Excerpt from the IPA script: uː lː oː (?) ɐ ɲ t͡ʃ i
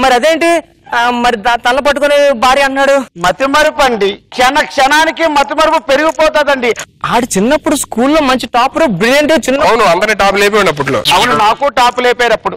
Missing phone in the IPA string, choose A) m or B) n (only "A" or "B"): A